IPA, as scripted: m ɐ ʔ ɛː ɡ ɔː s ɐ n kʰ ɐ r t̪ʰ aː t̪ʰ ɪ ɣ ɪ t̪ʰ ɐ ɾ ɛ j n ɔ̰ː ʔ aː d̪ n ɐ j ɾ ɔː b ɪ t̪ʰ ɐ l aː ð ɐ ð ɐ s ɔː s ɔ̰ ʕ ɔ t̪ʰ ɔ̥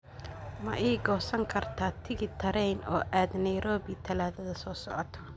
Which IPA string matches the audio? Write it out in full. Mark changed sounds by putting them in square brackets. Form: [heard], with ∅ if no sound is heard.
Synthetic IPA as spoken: m ɐ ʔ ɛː ɡ ɔː s ɐ [ŋ] kʰ ɐ r t̪ʰ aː t̪ʰ ɪ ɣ ɪ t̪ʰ ɐ ɾ ɛ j n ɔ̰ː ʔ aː d̪ n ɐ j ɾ ɔː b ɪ t̪ʰ ɐ l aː ð ɐ ð ɐ s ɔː s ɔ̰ ʕ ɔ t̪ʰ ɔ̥